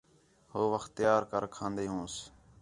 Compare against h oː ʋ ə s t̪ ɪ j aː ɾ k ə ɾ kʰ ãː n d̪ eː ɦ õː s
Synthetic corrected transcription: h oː ʋ ə x t̪ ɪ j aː ɾ k ə ɾ kʰ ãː n d̪ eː ɦ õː s